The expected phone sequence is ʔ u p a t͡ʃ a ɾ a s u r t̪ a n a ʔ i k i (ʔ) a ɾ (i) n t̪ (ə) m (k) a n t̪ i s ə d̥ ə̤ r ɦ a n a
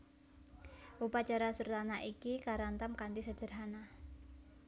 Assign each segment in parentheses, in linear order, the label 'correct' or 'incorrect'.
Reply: incorrect: k, incorrect: a, incorrect: a, correct

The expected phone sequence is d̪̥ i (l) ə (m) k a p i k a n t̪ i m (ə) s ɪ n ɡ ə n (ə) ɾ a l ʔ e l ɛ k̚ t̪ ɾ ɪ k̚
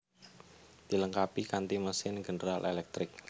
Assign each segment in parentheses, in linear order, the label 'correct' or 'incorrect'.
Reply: correct, incorrect: ŋ, correct, correct

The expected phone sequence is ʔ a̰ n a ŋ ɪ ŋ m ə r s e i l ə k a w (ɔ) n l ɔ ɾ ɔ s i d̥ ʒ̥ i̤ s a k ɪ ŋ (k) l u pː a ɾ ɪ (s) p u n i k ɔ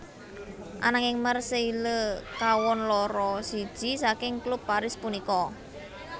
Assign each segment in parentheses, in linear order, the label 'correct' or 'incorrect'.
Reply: correct, correct, correct

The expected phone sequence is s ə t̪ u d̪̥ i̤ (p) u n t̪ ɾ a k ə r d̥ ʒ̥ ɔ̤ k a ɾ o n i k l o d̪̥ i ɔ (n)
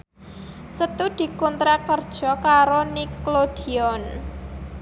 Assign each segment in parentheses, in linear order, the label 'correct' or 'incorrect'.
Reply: incorrect: k, correct

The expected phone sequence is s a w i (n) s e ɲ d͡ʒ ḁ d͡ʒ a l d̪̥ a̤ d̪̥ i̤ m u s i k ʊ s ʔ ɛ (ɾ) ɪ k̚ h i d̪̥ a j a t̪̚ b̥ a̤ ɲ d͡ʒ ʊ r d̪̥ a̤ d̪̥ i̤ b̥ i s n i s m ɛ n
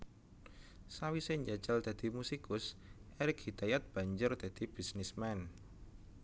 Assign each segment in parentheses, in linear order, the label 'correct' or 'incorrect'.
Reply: incorrect: none, correct

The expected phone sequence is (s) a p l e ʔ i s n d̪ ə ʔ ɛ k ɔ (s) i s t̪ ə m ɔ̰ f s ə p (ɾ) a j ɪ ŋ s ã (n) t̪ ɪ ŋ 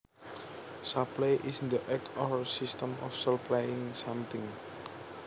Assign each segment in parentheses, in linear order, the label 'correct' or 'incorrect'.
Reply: correct, correct, incorrect: l, incorrect: m

